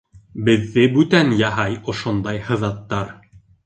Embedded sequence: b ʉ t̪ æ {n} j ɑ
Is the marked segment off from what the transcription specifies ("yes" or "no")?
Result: no